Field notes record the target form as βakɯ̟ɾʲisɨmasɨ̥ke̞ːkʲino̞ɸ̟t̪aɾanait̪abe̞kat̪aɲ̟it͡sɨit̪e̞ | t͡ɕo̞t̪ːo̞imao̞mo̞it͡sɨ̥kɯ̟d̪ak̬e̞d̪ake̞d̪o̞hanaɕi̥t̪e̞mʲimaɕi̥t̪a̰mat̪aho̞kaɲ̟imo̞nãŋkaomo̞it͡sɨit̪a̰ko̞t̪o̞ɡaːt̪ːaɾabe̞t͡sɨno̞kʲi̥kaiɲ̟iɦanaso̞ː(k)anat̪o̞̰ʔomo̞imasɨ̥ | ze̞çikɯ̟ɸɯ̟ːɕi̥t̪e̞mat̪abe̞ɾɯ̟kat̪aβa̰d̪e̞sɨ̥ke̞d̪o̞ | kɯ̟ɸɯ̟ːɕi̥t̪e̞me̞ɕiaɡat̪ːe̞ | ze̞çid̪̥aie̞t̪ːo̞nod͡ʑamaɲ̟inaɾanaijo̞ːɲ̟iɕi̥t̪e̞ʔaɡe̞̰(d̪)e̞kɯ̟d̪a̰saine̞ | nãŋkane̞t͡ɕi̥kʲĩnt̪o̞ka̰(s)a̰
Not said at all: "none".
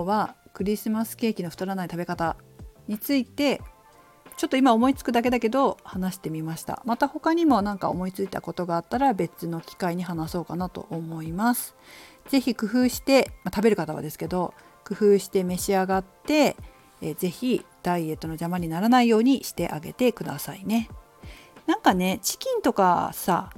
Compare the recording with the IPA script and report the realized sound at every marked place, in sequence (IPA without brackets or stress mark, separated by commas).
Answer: k, t̪, s